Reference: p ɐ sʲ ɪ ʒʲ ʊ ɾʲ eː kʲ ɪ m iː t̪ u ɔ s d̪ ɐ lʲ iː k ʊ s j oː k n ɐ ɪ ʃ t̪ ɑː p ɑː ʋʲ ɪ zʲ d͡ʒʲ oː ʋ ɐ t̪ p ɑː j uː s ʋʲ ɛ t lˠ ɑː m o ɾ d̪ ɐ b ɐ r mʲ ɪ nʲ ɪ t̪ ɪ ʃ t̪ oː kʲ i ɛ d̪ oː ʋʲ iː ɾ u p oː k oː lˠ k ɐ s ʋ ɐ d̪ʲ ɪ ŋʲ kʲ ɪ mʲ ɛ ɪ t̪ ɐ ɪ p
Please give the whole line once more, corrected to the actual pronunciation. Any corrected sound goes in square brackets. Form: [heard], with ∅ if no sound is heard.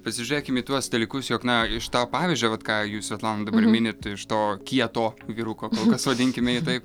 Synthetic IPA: p ɐ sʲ ɪ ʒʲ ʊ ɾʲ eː kʲ ɪ m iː t̪ u ɔ s d̪ ɐ lʲ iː k ʊ s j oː k n ɐ ɪ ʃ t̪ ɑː p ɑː ʋʲ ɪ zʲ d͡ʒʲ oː ʋ ɐ t̪ [k] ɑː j uː s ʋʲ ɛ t lˠ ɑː [n] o [∅] d̪ ɐ b ɐ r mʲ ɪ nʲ ɪ t̪ ɪ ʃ t̪ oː kʲ i ɛ [t̪] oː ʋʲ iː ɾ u [k] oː k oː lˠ k ɐ s ʋ ɐ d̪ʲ ɪ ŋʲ kʲ ɪ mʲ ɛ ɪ t̪ ɐ ɪ p